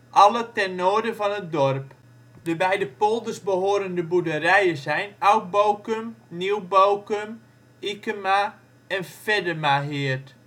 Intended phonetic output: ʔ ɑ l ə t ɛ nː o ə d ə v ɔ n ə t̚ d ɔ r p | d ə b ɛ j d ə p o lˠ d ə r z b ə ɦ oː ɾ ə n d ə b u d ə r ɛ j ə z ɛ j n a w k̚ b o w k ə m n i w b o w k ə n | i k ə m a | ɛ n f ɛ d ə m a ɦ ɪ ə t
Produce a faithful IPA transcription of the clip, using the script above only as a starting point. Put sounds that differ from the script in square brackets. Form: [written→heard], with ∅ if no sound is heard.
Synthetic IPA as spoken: ʔ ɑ l ə t ɛ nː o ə d ə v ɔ n ə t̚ d ɔ r p | d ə b ɛ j d ə p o lˠ d ə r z b ə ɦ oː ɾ ə n d ə b u d ə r ɛ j ə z ɛ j n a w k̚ b o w k ə m n i w b o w k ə [n→m] | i k ə m a | ɛ n f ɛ d ə m a ɦ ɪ ə t

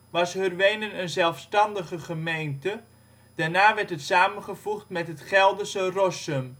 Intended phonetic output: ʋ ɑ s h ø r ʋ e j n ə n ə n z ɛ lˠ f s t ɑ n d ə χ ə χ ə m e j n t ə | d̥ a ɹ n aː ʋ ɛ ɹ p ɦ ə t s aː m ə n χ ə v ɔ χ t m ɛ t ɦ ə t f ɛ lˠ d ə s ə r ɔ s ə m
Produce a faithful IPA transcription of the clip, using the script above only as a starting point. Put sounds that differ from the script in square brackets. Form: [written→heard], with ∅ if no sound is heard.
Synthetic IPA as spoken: ʋ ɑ s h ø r ʋ e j n ə n ə n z ɛ lˠ f s t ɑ n d ə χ ə χ ə m e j n t ə | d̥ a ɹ n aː ʋ ɛ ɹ [p→t] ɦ ə t s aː m ə n χ ə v [ɔ→u] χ t m ɛ t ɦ ə t [f→χ] ɛ lˠ d ə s ə r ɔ s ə m

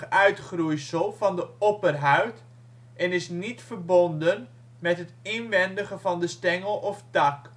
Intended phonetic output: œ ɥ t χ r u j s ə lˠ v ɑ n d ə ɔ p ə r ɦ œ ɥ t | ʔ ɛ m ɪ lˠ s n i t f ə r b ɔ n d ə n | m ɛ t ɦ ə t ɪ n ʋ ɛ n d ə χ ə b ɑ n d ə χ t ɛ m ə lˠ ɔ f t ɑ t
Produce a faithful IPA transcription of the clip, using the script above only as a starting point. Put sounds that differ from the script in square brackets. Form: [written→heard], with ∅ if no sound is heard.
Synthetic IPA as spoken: œ ɥ t χ r u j s ə lˠ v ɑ n d ə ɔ p ə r ɦ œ ɥ t | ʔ ɛ [m→n] ɪ [lˠ→∅] s n i t f ə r b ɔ n d ə n | m ɛ t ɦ ə t ɪ n ʋ ɛ n d ə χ ə [b→v] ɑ n d ə [χ→s] t ɛ [m→ŋ] ə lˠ ɔ f t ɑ [t→k]

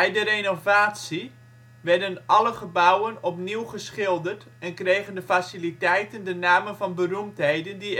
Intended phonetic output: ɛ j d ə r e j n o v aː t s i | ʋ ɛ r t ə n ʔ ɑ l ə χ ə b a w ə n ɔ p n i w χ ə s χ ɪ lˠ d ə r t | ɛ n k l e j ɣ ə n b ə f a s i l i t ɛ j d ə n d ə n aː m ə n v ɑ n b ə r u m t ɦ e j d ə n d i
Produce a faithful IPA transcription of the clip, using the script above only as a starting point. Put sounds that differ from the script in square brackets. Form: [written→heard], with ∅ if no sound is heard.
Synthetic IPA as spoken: ɛ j d ə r e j n o v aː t s i | ʋ ɛ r [t→d] ə n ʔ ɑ l ə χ ə b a w ə n ɔ p n i w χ ə s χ ɪ lˠ d ə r t | ɛ n k [l→r] e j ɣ ə n [b→d] ə f a s i l i t ɛ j [d→t] ə n d ə n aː m ə n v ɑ n b ə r u m t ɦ e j d ə n d i

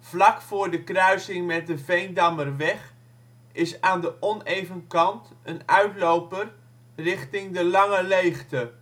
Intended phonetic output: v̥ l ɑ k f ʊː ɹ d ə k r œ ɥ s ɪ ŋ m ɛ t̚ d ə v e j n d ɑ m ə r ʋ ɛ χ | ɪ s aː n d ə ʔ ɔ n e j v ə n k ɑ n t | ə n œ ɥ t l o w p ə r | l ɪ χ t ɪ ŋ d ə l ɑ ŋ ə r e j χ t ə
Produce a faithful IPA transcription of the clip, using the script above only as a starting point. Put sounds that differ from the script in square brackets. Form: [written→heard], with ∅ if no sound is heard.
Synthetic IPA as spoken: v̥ l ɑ k f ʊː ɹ d ə k r œ ɥ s ɪ ŋ m ɛ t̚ d ə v e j n d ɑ m ə r ʋ ɛ χ | ɪ s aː n d ə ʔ ɔ n e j v ə n k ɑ n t | ə n œ ɥ t l o w p ə r | [l→r] ɪ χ t ɪ ŋ d ə l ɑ ŋ ə [r→l] e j χ t ə

